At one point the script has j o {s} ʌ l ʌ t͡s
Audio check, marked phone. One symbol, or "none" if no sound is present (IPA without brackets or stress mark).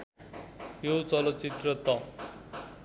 t͡s